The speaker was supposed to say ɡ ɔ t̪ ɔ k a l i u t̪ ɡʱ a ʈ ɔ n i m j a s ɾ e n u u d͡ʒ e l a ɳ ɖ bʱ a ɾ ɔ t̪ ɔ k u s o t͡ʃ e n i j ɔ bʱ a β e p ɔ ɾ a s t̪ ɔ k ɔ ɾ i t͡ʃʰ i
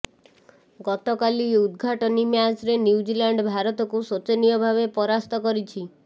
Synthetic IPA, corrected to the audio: ɡ ɔ t̪ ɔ k a l i u d̪ ɡʱ a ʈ ɔ n i m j a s ɾ e n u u d͡ʒ i l a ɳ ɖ bʱ a ɾ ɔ t̪ ɔ k u s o t͡ʃ e n i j ɔ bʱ a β e p ɔ ɾ a s t̪ ɔ k ɔ ɾ i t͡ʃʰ i